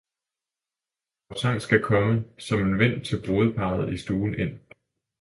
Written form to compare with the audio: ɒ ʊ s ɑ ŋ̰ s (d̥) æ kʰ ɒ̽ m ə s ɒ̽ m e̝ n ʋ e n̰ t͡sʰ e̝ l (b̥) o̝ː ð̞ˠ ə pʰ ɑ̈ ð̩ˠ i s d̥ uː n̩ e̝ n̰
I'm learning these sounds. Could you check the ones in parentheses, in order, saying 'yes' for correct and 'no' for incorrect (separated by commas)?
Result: no, yes